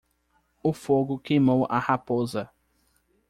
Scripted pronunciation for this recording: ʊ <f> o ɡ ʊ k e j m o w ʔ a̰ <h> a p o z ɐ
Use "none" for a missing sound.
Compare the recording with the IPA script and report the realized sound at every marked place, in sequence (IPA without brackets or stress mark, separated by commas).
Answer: f, h